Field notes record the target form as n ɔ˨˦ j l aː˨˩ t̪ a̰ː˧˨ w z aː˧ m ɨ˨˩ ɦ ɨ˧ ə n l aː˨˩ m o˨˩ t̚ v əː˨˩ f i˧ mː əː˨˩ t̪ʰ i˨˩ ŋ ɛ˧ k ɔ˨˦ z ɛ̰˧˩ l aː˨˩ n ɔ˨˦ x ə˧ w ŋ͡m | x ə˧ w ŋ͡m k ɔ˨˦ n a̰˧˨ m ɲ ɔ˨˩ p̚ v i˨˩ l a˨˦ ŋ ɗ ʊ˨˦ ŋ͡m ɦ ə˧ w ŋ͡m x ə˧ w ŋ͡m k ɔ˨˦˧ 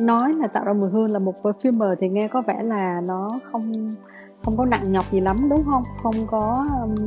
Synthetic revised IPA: n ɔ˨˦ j l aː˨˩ t̪ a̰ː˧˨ w z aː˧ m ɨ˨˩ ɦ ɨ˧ ə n l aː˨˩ m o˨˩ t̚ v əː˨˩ f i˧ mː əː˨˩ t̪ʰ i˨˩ ŋ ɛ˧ k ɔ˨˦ v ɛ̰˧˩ l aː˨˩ n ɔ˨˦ x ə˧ w ŋ͡m | x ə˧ w ŋ͡m k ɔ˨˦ n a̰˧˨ ŋ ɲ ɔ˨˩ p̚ z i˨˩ l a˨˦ m ɗ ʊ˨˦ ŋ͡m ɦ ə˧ w ŋ͡m x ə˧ w ŋ͡m k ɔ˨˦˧